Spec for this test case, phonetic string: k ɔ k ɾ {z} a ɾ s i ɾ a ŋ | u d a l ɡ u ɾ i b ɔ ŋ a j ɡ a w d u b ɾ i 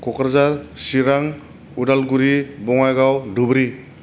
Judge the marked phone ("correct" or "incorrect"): correct